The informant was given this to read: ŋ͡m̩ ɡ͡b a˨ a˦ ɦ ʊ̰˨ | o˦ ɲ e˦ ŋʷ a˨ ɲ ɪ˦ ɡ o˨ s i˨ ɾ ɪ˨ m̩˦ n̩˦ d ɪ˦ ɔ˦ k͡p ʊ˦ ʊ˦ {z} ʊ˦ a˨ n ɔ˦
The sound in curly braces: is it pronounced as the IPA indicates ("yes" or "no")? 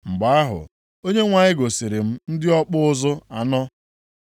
yes